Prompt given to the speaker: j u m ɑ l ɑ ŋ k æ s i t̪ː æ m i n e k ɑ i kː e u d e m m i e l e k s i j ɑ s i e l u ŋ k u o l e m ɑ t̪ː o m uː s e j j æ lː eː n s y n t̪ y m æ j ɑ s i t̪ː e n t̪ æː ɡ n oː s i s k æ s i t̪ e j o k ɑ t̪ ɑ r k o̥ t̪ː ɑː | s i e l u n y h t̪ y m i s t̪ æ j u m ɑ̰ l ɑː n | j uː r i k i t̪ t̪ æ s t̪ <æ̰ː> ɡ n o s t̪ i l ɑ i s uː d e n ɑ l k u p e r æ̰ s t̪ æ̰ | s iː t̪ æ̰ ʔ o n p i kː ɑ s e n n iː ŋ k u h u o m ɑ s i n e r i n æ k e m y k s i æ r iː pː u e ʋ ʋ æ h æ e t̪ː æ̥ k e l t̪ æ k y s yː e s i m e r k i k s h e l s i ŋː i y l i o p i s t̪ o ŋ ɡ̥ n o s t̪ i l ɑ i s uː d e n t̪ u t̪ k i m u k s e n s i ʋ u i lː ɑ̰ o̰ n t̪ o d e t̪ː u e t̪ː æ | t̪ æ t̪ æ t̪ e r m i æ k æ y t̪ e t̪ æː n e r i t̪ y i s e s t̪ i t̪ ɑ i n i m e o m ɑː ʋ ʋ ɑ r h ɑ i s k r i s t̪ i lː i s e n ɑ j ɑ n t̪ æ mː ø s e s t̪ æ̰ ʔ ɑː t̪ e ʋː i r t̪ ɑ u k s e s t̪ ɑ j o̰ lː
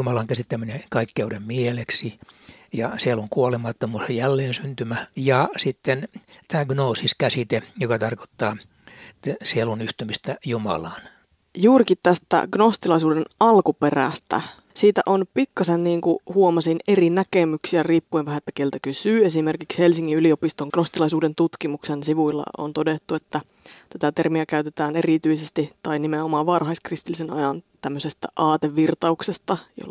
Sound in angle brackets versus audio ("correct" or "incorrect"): incorrect